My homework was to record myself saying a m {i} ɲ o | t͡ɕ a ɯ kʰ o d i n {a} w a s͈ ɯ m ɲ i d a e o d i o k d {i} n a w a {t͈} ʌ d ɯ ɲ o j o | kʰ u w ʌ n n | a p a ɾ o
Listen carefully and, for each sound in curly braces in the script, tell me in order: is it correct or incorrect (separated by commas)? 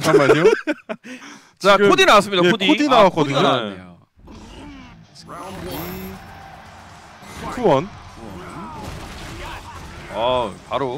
incorrect, correct, correct, incorrect